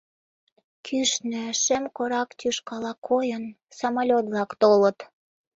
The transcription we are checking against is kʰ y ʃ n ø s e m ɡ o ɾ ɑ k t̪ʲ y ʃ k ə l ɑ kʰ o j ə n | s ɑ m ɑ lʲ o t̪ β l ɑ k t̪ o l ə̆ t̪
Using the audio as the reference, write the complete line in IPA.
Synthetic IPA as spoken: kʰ y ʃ n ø ʃ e m k o ɾ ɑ k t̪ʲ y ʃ k ɑ l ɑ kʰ o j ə n | s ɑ m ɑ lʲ o t̪ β l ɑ k t̪ o l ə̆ t̪

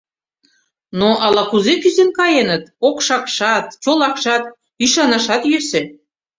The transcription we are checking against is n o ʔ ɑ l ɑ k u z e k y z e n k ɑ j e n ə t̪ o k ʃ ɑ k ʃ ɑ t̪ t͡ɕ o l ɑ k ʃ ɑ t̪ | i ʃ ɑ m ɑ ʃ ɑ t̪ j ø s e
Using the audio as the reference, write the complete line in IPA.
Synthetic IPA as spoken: n o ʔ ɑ l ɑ k u z e k y z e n k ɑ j e n ə t̪ o k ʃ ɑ k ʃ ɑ t̪ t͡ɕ o l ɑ k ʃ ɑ t̪ | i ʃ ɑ n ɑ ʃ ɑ t̪ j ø s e

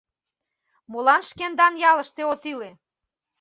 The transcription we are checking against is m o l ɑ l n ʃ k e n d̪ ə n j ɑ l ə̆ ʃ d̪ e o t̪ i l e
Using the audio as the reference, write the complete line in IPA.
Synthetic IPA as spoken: m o l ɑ n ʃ k e n d̪ ɑ n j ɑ l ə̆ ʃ t̪ e o t̪ i l e

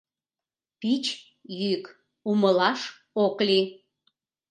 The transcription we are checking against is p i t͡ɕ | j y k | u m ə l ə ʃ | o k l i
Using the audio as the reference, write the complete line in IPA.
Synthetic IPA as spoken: p i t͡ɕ | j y k | u m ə l ɑ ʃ | o k l i

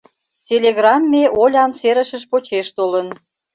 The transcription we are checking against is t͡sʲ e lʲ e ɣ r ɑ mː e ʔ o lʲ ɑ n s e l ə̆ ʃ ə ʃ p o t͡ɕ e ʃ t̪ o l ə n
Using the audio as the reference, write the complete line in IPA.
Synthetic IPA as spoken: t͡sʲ e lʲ e ɣ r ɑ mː e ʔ o lʲ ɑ n s e ɾ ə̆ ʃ ə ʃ p o t͡ɕ e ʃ t̪ o l ə n

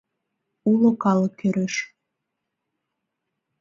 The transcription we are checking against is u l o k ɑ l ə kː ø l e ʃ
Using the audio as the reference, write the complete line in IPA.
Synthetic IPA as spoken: u l o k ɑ l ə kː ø ɾ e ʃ

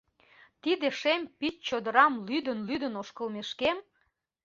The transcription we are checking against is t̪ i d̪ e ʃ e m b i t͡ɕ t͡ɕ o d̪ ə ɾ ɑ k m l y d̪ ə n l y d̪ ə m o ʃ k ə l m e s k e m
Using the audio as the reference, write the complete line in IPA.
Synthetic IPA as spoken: t̪ i d̪ e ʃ e m p i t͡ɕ t͡ɕ o d̪ ə ɾ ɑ m l y d̪ ə n l y d̪ ə n o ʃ k ə l m e ʃ k e m

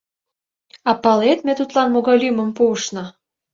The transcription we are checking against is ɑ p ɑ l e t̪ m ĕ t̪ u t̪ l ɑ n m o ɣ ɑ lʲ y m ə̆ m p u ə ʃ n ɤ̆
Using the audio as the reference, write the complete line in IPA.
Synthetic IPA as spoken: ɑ p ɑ l e t̪ m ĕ t̪ u t̪ l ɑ n m o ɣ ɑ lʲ y m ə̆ m p u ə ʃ n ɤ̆

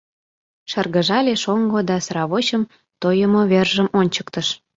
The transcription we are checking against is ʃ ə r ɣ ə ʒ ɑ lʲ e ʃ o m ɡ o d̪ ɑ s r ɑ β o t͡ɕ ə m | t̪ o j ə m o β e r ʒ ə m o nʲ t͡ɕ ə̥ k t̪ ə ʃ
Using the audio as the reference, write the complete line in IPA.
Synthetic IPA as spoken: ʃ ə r ɣ ə ʒ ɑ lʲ e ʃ o ŋ ɡ o d̪ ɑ s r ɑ β o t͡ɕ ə m | t̪ o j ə m o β e r ʒ ə m o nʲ t͡ɕ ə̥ k t̪ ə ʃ

